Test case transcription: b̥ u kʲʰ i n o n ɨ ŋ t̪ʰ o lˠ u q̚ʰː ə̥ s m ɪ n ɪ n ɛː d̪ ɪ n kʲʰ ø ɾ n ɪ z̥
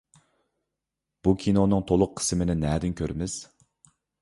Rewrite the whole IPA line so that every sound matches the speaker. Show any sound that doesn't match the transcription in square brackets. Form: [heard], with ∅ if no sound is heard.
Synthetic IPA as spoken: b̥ u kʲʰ i n o n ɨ ŋ t̪ʰ o lˠ [ʊ] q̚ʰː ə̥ s m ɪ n ɪ n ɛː d̪ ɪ n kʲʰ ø ɾ [m] ɪ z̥